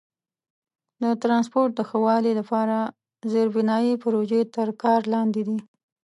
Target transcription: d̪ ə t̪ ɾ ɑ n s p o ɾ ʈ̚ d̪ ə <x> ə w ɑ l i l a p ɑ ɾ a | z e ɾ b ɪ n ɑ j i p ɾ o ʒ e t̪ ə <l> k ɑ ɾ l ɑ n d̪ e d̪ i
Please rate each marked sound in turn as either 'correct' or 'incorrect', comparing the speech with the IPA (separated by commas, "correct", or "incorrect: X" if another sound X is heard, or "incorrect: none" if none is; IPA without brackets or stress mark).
correct, incorrect: ɾ